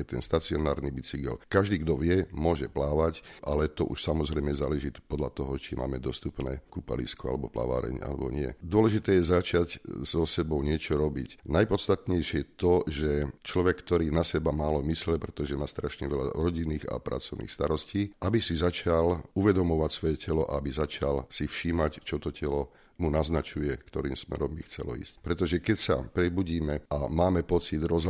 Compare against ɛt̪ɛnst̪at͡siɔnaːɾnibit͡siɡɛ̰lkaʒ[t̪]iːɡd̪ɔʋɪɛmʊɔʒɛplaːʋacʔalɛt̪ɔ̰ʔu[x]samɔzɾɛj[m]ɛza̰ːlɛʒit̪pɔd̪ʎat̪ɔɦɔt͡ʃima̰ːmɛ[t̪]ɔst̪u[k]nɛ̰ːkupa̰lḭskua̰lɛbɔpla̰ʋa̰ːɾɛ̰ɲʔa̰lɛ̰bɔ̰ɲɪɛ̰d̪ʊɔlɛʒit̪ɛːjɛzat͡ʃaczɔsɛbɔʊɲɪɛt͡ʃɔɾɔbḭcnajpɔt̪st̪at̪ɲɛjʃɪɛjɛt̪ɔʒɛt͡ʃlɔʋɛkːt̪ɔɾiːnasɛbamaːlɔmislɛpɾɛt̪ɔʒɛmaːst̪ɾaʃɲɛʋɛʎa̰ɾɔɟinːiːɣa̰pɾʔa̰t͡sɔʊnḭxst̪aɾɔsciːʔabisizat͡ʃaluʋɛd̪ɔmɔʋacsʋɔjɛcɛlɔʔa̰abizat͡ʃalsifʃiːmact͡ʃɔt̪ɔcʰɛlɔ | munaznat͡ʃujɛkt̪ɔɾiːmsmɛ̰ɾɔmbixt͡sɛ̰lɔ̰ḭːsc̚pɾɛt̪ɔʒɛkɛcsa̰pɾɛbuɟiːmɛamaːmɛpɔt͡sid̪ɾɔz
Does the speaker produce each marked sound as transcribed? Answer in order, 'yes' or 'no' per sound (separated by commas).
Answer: no, no, yes, no, no